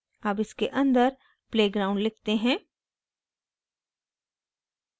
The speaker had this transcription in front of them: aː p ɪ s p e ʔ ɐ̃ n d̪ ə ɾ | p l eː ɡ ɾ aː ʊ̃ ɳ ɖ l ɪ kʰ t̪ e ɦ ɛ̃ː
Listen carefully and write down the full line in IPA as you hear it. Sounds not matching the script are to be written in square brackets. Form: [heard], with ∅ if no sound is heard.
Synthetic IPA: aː p ɪ s [k] e ʔ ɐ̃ n d̪ ə ɾ | p l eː ɡ ɾ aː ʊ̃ ɳ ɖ l ɪ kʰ t̪ e ɦ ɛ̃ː